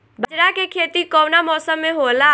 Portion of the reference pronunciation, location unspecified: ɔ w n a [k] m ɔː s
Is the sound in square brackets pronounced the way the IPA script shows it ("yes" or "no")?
no